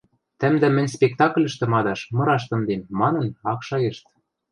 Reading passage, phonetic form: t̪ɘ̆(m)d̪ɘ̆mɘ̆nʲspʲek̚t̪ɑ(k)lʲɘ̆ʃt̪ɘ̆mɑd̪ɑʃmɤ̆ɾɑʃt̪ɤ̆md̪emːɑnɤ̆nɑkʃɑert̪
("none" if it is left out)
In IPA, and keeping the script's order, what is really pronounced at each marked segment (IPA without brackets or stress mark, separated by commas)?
m, k